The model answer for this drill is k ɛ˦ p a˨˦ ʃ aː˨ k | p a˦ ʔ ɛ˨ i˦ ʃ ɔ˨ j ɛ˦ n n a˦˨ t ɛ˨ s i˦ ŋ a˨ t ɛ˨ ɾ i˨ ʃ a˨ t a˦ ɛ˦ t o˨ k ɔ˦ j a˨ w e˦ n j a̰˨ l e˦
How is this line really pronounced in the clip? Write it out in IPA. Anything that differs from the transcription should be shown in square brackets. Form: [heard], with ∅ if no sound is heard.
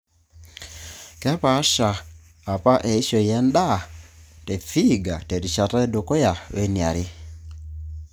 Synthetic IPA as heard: k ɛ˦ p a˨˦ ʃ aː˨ [∅] | p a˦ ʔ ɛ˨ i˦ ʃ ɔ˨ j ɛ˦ n [d] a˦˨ t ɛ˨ [f] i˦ [ɡ] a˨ t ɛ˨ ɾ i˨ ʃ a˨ t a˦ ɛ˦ [d] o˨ k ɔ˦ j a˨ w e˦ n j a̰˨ [ɾ] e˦

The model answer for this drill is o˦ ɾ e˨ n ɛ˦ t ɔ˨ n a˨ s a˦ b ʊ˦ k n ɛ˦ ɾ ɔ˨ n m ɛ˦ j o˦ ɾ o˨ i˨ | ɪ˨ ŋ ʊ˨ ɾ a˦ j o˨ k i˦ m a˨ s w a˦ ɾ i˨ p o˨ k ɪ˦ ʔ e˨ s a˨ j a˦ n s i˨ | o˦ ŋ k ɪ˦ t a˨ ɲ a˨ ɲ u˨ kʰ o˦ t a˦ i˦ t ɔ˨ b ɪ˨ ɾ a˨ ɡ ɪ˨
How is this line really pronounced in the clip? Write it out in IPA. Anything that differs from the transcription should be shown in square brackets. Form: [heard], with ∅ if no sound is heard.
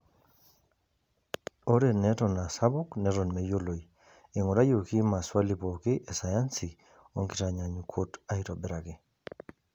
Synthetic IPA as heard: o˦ ɾ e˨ n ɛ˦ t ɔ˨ n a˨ s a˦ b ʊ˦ k n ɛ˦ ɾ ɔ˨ n m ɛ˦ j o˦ [l] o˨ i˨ | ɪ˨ ŋ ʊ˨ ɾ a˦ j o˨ k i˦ m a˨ s w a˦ [l] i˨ p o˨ k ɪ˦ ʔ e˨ s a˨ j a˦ n s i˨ | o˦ ŋ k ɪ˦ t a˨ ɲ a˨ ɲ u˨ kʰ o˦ t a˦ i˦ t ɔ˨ b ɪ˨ ɾ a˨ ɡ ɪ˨

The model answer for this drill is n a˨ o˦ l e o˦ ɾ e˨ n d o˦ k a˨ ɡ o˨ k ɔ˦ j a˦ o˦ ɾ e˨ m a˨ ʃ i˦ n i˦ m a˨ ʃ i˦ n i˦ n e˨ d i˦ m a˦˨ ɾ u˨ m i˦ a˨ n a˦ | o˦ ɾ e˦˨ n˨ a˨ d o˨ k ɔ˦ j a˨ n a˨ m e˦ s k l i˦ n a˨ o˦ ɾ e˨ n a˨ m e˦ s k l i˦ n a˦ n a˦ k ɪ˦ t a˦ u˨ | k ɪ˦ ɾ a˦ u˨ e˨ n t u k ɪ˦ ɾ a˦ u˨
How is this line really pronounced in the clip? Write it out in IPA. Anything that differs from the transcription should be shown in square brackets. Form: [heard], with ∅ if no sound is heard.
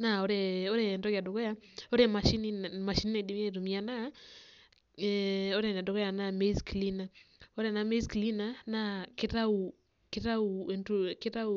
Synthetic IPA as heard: n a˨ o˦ [ɾ] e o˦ ɾ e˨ n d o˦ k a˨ [d] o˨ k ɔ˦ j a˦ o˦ ɾ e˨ m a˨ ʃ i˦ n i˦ m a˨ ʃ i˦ n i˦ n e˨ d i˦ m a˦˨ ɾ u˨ m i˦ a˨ n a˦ | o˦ ɾ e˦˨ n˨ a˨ d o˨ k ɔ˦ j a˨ n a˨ m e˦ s k l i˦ n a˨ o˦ ɾ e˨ n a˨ m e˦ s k l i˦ n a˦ n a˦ k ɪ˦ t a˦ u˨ | k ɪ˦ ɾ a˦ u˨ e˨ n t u k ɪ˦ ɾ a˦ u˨

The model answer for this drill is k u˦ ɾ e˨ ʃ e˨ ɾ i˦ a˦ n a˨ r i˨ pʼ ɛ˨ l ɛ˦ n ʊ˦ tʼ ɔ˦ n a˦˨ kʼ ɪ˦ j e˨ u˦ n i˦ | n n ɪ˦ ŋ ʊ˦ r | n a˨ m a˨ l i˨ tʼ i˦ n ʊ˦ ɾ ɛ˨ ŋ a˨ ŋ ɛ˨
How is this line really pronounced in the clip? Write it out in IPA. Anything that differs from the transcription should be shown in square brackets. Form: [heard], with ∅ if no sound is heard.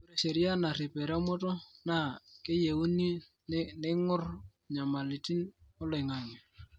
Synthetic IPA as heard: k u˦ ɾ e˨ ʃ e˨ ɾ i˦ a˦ n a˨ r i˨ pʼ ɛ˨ [ɾ] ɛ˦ [m] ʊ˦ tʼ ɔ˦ n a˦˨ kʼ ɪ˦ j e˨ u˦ n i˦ | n n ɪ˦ ŋ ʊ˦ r | [ɲ] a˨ m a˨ l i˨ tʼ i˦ n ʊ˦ [l] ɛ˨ ŋ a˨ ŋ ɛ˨

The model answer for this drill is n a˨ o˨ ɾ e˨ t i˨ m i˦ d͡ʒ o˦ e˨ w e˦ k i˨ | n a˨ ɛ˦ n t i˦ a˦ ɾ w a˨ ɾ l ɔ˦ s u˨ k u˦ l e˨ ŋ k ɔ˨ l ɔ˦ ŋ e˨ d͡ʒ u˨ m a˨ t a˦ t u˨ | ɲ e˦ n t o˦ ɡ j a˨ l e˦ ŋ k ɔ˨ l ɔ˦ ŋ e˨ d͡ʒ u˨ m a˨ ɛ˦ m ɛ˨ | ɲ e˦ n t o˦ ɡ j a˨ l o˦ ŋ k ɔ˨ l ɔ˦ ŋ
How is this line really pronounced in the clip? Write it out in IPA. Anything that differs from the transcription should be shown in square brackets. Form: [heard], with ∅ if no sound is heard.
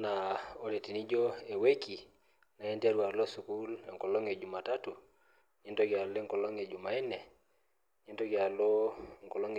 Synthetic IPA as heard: n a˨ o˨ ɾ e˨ t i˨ [n] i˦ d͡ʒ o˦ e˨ w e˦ k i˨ | n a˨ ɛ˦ n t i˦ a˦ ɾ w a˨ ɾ l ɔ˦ s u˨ k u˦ l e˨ ŋ k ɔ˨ l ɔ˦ ŋ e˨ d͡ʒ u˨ m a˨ t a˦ t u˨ | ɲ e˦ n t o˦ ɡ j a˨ l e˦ ŋ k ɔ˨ l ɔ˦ ŋ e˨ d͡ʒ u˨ m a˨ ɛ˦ [n] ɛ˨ | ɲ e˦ n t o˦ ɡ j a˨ l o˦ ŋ k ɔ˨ l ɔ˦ ŋ

